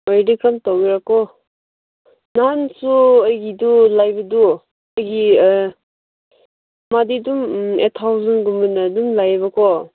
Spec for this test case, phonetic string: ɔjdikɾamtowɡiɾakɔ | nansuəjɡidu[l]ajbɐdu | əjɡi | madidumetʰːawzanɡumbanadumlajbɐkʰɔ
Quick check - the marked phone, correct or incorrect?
correct